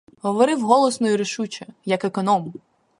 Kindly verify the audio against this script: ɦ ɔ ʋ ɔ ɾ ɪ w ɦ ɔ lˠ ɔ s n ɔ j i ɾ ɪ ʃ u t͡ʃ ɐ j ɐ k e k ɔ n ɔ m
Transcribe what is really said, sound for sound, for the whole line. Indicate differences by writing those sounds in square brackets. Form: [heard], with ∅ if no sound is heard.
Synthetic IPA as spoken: ɦ ɔ ʋ ɔ ɾ ɪ w ɦ ɔ lˠ ɔ s n ɔ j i ɾ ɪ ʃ u t͡ʃ ɐ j ɐ k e k ɔ n ɔ m

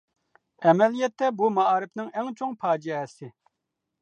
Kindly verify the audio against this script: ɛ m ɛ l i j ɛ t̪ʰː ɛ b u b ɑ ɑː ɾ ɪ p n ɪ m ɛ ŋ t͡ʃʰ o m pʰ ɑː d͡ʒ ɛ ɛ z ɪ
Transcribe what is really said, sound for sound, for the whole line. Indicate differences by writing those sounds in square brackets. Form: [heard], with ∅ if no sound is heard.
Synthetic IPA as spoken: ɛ m ɛ l i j ɛ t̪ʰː ɛ b u [m] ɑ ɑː ɾ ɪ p n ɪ [ŋ] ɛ ŋ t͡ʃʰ o [ŋ] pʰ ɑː d͡ʒ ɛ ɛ [s] ɪ

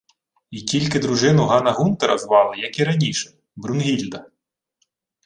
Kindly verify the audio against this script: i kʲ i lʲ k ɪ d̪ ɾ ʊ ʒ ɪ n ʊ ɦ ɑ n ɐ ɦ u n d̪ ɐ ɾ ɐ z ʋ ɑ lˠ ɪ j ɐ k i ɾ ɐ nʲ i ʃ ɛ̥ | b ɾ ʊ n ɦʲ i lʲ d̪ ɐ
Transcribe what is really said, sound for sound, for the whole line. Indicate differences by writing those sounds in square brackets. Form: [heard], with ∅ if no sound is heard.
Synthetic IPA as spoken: i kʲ i lʲ k ɪ d̪ ɾ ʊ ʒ ɪ n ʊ ɦ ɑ n ɐ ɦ u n [t̪] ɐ ɾ ɐ z ʋ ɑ lˠ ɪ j ɐ k i ɾ ɐ nʲ i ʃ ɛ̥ | b ɾ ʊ n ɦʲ i lʲ d̪ ɐ

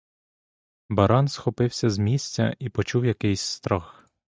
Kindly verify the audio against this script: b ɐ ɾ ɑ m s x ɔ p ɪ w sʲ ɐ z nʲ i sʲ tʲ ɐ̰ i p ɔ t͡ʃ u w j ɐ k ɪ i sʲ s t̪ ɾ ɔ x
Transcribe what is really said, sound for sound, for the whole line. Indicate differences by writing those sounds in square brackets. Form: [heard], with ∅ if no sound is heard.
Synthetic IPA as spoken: b ɐ ɾ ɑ [n] s x ɔ p ɪ w sʲ ɐ z [mʲ] i sʲ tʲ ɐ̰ i p ɔ t͡ʃ u w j ɐ k ɪ [j] sʲ s t̪ ɾ ɔ x

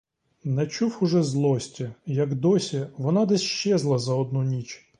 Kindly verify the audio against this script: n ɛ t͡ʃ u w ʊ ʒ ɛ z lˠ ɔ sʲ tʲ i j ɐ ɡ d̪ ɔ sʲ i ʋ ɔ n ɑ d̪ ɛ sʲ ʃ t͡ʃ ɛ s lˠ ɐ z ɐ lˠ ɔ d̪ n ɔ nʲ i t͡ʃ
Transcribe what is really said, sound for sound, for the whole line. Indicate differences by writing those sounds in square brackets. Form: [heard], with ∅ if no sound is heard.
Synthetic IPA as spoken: n ɛ t͡ʃ u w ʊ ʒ ɛ z lˠ ɔ sʲ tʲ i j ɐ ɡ d̪ ɔ sʲ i ʋ ɔ n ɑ d̪ ɛ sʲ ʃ t͡ʃ ɛ [z] lˠ ɐ z ɐ [∅] ɔ d̪ n [u] nʲ i t͡ʃ

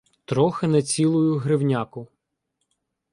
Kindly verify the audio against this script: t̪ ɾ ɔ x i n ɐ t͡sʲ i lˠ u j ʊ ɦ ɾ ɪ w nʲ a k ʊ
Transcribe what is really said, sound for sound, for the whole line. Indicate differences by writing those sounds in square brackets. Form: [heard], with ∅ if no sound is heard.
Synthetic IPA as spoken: t̪ ɾ ɔ x [ɪ] n ɐ t͡sʲ i lˠ [ʊ] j ʊ ɦ ɾ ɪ w nʲ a k ʊ

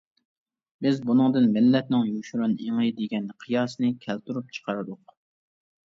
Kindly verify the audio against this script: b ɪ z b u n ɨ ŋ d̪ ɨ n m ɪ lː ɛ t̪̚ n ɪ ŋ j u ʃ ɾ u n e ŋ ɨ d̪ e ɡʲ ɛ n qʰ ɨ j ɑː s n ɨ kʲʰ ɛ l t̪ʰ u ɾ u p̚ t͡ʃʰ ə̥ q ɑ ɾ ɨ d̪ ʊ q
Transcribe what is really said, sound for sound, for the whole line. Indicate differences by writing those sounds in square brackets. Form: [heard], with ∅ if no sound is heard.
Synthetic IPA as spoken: b ɪ z b u n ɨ ŋ d̪ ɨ n m ɪ lː ɛ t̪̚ n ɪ ŋ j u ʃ ɾ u n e ŋ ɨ d̪ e ɡʲ ɛ n qʰ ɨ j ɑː s n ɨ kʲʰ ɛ l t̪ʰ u ɾ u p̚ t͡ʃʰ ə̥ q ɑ ɾ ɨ d̪ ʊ q

